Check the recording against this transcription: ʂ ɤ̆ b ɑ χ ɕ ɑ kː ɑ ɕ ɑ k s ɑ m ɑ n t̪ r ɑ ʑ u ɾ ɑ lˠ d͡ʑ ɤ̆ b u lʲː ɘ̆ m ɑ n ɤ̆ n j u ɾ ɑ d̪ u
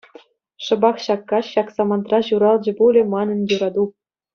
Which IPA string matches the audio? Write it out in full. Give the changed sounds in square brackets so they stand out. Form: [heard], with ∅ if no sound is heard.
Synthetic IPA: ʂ ɤ̆ b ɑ χ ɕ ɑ kː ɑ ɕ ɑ k s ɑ m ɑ n t̪ r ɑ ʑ u ɾ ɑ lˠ d͡ʑ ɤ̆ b u [lʲ] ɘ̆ m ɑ n ɤ̆ n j u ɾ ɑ d̪ u